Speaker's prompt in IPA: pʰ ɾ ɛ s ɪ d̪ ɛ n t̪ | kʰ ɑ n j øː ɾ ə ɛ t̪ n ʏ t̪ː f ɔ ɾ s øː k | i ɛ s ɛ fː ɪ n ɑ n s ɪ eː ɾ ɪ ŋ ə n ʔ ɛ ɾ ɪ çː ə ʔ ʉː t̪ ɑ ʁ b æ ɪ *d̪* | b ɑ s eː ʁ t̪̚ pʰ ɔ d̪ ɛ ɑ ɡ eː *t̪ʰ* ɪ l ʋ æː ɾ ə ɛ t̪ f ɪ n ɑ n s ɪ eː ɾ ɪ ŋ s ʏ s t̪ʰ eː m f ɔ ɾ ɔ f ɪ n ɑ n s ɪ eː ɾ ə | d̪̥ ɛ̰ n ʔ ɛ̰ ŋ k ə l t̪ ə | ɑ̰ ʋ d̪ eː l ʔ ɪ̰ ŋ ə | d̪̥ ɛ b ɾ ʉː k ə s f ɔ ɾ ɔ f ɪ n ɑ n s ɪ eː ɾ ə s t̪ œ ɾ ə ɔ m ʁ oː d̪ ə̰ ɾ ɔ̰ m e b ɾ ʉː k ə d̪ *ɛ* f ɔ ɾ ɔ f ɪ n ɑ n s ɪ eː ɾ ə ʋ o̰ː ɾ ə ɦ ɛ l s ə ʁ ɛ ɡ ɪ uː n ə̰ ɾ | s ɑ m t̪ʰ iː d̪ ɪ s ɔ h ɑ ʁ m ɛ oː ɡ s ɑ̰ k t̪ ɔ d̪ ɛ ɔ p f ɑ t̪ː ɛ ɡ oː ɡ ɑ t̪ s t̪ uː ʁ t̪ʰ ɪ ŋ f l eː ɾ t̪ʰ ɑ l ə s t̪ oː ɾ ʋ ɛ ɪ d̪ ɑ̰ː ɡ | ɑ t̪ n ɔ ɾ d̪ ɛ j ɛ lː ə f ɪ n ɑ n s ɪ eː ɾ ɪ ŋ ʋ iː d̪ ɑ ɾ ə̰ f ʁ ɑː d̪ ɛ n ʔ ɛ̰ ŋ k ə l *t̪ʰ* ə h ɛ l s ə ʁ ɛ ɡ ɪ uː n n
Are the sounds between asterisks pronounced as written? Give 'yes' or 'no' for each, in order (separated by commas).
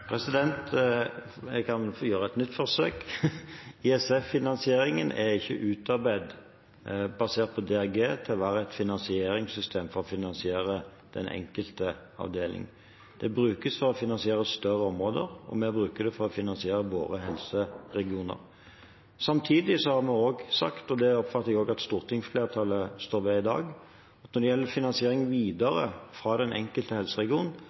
yes, yes, yes, no